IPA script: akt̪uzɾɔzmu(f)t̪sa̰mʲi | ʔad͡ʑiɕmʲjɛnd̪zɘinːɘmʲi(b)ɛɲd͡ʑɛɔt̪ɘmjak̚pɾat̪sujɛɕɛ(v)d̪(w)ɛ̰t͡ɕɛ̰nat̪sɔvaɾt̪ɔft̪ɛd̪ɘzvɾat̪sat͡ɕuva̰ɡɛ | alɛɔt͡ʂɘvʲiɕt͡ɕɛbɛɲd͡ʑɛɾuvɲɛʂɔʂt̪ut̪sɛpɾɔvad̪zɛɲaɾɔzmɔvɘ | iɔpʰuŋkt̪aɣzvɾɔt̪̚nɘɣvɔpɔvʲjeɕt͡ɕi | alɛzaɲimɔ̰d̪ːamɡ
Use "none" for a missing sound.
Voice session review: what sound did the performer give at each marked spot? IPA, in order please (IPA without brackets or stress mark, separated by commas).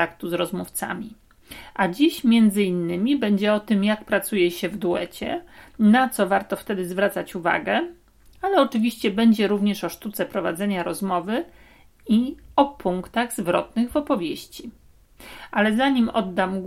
f, b, v, u